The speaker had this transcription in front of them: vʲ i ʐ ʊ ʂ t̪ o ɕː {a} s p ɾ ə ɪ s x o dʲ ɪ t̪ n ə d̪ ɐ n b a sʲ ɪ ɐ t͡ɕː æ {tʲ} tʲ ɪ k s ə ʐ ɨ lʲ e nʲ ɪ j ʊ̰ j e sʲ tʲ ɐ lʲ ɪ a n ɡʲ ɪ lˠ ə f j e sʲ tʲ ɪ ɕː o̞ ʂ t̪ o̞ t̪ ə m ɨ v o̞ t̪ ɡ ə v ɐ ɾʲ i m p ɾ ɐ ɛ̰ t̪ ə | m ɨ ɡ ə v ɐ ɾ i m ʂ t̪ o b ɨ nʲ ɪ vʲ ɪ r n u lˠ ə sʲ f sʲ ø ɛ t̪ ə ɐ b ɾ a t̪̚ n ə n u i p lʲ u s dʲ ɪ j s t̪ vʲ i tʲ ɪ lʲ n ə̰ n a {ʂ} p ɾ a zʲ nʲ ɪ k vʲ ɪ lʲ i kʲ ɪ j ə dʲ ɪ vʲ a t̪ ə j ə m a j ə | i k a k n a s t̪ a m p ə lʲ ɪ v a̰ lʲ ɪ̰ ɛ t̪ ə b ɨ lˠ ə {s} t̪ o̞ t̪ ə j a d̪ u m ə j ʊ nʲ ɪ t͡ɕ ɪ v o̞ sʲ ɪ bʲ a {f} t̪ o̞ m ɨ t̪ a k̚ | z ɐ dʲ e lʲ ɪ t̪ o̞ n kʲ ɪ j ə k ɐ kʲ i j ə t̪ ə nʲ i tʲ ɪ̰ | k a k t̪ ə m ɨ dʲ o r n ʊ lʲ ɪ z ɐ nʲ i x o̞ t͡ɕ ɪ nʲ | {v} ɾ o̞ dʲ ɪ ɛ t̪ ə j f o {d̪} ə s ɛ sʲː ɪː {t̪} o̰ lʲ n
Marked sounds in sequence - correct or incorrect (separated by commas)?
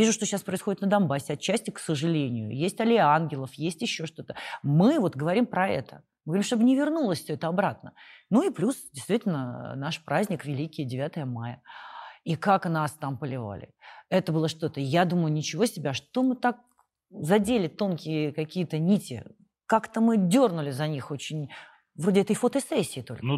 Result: correct, incorrect, correct, incorrect, incorrect, correct, incorrect, correct